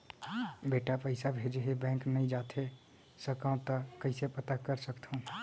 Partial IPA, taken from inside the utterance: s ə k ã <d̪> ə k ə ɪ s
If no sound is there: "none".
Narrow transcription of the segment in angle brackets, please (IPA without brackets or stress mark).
t̪